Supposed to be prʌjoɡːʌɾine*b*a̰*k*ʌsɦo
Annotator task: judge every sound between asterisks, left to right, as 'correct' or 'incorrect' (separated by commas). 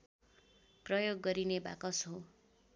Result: correct, correct